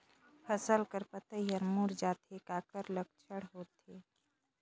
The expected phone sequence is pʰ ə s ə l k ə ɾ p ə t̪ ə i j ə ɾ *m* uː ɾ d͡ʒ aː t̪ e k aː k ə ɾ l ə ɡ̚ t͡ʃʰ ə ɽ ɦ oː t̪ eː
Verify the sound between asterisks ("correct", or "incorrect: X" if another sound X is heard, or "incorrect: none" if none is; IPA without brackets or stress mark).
correct